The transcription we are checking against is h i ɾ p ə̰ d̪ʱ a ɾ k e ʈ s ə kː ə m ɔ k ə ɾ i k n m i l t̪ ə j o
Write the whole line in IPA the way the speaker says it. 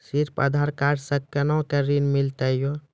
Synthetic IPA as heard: s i ɾ p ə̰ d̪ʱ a ɾ k a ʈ s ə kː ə n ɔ k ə ɾ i n m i l t̪ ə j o